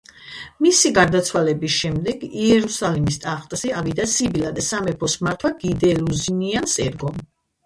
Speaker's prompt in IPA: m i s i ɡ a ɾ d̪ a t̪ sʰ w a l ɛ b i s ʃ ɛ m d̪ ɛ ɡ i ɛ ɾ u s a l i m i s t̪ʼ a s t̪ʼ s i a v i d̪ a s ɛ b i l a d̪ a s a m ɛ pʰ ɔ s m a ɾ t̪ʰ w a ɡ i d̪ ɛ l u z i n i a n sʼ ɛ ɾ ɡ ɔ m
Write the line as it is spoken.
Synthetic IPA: m i s i ɡ a ɾ d̪ a t̪ sʰ w a l ɛ b i s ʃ ɛ m d̪ ɛ ɡ i ɛ ɾ u s a l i m i s t̪ʼ a χ t̪ʼ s i a v i d̪ a s i b i l a d̪ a s a m ɛ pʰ ɔ s m a ɾ t̪ʰ w a ɡ i d̪ ɛ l u z i n i a n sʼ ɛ ɾ ɡ ɔ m